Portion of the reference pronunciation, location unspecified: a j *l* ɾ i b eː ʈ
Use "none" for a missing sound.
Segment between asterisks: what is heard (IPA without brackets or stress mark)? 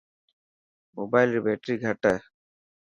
l